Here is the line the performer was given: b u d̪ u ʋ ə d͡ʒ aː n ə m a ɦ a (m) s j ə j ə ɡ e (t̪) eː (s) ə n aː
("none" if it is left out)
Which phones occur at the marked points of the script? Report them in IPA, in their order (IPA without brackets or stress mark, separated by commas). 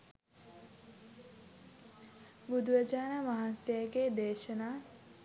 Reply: n, d̪, ʃ